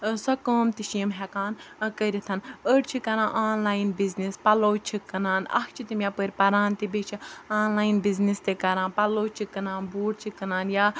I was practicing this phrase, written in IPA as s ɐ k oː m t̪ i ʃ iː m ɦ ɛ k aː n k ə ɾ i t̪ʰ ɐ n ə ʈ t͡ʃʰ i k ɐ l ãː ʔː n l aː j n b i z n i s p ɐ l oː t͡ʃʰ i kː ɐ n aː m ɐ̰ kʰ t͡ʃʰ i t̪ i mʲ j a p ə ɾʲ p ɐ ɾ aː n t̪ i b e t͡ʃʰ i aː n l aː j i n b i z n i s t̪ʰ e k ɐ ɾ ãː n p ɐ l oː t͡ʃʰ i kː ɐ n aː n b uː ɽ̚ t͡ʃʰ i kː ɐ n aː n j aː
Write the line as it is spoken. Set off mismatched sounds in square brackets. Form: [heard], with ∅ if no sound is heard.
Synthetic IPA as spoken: s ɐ k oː m t̪ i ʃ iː m ɦ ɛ k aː n k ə ɾ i t̪ʰ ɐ n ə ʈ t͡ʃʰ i k ɐ [ɾ] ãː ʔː n l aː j n b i z n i s p ɐ l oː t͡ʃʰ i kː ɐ n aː [n] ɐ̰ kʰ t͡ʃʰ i t̪ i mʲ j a p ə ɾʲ p ɐ ɾ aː n t̪ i b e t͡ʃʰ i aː n l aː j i n b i z n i s [t̪] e k ɐ ɾ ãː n p ɐ l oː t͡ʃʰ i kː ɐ n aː n b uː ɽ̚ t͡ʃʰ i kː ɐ n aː n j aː